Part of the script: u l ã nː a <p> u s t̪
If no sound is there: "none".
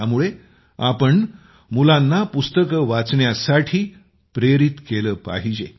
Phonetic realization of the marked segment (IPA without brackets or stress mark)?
p